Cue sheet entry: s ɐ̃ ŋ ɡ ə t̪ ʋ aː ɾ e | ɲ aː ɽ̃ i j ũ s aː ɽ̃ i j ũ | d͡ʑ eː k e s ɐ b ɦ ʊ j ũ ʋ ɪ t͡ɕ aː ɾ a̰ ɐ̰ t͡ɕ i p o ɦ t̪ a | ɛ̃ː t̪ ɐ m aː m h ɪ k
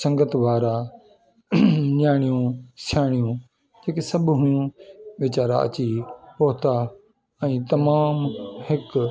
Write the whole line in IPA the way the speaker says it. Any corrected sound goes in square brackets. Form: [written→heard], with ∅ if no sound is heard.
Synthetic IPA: s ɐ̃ ŋ ɡ ə t̪ ʋ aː ɾ [e→a] | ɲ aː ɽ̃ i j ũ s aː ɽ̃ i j ũ | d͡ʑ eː k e s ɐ b ɦ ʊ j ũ ʋ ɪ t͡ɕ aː ɾ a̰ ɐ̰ t͡ɕ i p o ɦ t̪ a | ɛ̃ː t̪ ɐ m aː m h ɪ k